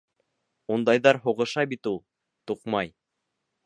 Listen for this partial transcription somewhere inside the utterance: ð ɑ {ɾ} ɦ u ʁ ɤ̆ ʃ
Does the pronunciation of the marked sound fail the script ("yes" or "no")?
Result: no